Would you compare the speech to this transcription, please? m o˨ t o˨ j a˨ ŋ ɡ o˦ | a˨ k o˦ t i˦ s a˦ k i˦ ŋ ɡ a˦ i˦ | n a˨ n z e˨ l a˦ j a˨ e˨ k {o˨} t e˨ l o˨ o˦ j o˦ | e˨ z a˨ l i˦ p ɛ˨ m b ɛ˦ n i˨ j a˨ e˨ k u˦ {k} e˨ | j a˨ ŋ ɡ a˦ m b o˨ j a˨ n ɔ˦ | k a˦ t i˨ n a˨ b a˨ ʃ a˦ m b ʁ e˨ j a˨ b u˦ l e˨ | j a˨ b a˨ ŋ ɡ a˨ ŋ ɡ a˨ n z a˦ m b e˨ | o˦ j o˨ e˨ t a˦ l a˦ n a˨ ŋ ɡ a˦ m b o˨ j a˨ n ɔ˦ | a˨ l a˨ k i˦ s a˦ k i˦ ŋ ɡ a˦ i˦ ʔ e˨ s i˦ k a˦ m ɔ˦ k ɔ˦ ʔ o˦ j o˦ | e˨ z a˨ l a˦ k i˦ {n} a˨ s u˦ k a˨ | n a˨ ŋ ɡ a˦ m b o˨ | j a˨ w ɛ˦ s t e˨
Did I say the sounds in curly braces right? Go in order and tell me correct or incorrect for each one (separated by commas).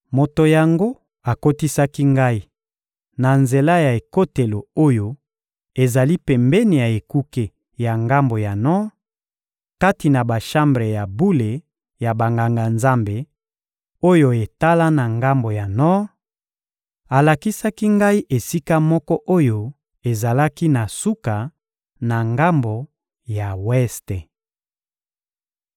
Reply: incorrect, correct, correct